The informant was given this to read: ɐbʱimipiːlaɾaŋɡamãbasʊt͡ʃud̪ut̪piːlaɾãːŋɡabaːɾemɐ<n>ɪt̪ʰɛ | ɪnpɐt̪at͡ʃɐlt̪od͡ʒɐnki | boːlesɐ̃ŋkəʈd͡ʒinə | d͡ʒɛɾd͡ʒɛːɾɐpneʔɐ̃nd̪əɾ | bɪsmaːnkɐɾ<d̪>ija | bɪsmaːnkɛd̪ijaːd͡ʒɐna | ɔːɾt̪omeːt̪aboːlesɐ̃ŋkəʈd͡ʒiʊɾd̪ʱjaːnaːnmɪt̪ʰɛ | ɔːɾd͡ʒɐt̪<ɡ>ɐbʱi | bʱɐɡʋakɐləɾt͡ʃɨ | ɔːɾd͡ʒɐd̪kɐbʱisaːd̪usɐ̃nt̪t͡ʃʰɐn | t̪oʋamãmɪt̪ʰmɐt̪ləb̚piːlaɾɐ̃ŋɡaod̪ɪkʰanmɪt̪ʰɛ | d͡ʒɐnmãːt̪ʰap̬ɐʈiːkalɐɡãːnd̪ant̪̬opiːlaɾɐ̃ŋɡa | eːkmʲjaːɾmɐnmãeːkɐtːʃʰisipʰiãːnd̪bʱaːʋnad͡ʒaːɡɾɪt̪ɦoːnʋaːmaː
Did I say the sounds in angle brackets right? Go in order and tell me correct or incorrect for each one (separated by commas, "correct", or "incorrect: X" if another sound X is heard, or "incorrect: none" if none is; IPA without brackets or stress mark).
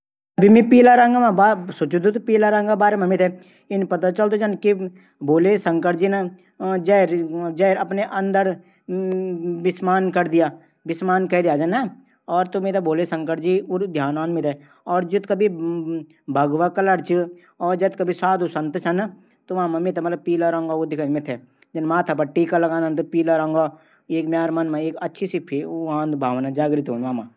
incorrect: m, correct, incorrect: k